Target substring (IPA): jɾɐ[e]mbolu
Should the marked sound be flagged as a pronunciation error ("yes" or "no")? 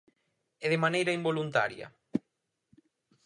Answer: yes